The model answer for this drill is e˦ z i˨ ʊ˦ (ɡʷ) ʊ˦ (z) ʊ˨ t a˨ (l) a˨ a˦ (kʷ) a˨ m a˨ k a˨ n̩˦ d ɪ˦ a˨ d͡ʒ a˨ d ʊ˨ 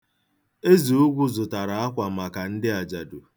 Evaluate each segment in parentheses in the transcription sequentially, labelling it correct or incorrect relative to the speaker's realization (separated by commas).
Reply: correct, correct, incorrect, correct